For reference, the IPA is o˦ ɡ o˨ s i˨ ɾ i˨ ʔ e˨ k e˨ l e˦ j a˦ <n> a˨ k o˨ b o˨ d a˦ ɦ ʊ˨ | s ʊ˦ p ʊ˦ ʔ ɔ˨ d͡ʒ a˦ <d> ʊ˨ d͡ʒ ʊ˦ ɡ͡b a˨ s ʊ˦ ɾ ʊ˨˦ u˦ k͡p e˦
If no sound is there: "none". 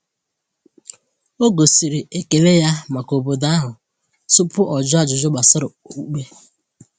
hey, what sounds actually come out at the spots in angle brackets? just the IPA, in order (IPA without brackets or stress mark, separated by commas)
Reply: m, d͡ʒ